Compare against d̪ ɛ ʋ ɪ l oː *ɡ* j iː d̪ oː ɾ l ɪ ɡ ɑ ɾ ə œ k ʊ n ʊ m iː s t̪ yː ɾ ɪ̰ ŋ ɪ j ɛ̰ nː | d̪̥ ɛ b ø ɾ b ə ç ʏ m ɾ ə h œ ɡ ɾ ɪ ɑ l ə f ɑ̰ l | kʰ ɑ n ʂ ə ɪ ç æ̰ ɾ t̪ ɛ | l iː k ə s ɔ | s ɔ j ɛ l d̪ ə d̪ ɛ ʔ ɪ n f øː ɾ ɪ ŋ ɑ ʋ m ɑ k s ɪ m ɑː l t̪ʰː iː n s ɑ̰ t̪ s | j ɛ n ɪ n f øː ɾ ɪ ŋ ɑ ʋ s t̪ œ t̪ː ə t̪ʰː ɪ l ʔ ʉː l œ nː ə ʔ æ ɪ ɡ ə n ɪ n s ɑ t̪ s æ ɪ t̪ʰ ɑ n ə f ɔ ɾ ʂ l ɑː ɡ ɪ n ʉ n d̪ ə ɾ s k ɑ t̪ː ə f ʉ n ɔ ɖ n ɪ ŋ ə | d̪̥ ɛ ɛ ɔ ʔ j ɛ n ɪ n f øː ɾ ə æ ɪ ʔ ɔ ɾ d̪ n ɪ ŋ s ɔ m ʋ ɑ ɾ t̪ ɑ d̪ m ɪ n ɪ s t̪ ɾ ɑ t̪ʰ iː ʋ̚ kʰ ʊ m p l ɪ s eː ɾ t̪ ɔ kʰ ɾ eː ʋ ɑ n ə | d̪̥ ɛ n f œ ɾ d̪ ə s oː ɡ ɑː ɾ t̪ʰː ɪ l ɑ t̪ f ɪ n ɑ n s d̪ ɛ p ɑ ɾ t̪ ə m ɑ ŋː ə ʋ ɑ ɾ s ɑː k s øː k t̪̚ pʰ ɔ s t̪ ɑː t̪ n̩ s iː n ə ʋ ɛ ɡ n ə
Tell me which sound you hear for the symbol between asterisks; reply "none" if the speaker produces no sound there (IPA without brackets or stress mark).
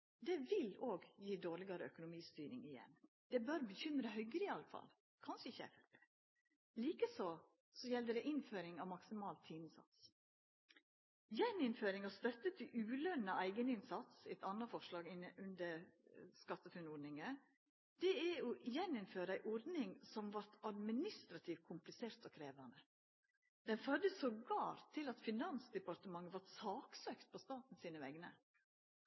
ɡ